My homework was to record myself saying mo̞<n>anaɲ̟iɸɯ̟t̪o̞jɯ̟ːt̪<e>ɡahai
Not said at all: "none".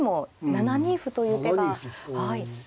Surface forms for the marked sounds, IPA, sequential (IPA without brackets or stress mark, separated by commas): n, e